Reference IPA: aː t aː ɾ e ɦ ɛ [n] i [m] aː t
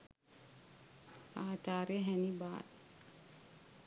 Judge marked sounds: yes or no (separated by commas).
yes, no